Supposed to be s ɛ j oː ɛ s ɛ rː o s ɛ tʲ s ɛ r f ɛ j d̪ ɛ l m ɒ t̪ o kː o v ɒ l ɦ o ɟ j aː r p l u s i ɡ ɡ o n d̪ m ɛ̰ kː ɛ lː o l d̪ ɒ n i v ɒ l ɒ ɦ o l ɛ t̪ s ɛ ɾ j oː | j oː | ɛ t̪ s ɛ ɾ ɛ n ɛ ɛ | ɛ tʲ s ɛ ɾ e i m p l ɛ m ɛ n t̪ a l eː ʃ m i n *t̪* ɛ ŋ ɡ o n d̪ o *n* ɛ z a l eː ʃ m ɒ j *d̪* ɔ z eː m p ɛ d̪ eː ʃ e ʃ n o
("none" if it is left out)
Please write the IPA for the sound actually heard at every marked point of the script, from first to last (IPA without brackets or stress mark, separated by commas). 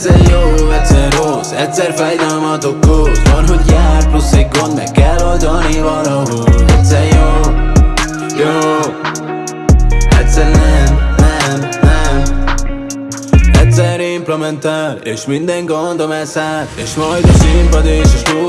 d̪, m, d̪